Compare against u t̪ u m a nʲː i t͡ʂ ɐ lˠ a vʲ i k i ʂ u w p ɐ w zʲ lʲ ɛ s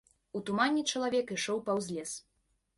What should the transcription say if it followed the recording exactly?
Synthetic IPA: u t̪ u m a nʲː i t͡ʂ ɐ lˠ a vʲ ɛ k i ʂ ɔ w p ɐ w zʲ lʲ ɛ s